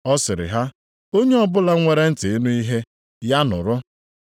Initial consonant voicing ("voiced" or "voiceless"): voiceless